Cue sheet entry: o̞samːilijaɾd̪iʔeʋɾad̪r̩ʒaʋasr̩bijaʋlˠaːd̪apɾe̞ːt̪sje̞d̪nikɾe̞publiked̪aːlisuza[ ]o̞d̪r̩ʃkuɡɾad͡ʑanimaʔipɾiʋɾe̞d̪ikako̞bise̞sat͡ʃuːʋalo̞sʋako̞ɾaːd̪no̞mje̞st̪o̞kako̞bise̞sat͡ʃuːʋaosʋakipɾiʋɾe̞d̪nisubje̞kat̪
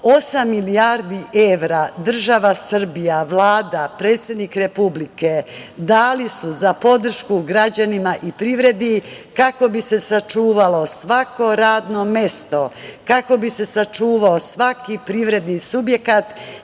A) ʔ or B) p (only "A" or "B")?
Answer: B